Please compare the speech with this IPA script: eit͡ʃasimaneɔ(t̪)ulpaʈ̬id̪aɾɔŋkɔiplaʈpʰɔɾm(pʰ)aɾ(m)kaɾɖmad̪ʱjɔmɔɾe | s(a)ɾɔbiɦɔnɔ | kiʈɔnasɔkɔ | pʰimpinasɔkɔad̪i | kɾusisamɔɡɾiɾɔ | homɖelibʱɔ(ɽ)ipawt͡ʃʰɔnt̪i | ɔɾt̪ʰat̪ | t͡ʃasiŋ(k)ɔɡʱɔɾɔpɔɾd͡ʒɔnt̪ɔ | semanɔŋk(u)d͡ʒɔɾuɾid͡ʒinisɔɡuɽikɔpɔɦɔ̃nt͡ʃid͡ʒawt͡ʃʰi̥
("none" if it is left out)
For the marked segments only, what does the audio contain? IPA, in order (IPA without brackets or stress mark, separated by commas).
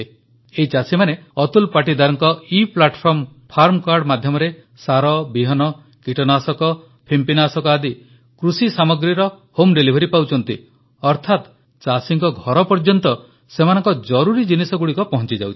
t̪, pʰ, m, a, ɾ, k, ɔ